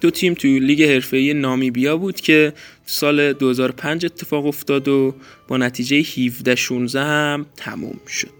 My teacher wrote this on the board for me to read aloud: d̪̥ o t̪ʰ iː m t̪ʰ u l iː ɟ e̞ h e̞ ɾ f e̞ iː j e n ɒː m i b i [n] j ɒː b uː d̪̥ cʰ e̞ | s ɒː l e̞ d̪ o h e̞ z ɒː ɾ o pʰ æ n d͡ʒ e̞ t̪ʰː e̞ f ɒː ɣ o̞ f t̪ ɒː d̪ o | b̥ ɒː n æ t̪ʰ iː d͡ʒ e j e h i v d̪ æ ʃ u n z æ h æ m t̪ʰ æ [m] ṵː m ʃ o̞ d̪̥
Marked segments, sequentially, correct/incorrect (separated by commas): incorrect, correct